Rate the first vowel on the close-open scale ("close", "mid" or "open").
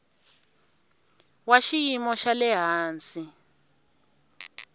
open